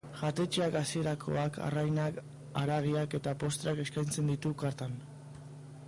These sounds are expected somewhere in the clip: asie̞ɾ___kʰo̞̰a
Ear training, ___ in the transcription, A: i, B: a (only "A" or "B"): B